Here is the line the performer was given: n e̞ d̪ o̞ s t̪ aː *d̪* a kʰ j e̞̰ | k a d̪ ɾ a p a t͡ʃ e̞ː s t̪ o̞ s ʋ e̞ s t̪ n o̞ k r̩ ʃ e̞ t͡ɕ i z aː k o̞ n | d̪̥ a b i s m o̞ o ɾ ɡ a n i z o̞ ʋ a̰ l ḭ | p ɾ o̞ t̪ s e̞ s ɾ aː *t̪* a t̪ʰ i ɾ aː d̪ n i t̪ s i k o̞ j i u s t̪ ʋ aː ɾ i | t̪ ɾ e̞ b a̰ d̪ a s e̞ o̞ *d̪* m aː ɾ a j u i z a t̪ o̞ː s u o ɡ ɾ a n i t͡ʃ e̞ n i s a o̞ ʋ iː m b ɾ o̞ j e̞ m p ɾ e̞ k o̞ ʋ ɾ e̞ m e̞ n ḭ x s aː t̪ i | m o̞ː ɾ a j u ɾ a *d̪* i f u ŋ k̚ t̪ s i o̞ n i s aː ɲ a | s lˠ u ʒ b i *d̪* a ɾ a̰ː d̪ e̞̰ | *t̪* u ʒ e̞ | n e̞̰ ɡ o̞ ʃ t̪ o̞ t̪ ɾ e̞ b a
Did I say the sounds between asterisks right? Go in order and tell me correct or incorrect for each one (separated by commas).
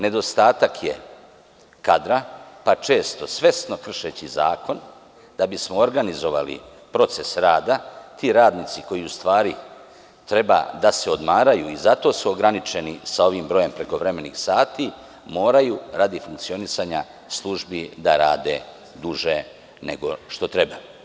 incorrect, incorrect, correct, correct, correct, incorrect